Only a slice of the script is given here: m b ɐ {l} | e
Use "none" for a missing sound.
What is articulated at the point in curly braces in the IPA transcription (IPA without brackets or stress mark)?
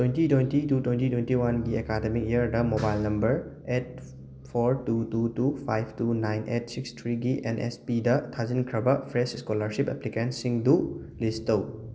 ɾ